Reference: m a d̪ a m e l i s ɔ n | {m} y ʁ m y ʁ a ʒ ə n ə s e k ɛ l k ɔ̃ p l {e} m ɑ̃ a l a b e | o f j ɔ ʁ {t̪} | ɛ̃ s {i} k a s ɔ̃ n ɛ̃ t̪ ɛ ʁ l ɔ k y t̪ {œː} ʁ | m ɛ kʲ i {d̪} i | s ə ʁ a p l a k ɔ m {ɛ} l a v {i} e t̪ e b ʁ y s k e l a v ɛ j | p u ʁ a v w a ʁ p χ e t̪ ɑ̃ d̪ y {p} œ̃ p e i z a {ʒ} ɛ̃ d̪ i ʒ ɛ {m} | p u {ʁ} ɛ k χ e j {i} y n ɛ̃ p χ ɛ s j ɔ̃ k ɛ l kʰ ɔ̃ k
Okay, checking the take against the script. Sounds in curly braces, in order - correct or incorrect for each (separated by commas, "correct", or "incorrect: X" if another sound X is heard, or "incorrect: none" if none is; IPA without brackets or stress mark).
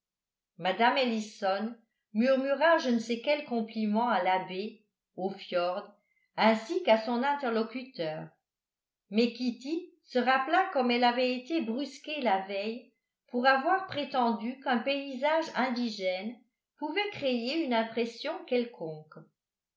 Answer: correct, incorrect: i, incorrect: d̪, correct, correct, incorrect: t̪, correct, incorrect: ɛ, incorrect: k, correct, incorrect: n, incorrect: v, incorrect: e